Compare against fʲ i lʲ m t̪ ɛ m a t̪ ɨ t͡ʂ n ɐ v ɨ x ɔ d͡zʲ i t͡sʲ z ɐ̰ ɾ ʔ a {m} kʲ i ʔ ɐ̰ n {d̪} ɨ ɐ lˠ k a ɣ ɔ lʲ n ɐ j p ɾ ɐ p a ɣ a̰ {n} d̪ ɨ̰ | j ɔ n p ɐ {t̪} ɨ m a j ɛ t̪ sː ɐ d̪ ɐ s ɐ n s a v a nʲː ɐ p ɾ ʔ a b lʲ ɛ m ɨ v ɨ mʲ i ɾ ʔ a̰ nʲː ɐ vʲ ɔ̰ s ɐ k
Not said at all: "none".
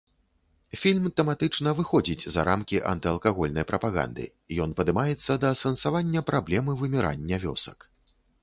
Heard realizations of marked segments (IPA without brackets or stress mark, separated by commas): m, t̪, n, d̪